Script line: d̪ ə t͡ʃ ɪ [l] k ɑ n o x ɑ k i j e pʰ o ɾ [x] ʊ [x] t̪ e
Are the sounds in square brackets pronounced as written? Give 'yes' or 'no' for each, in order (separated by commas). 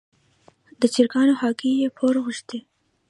no, no, no